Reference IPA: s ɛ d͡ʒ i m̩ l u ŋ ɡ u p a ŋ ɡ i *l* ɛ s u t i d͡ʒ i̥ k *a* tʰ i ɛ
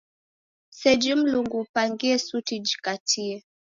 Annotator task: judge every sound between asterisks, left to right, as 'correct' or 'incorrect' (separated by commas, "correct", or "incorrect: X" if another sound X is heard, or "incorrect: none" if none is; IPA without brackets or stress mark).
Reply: incorrect: none, correct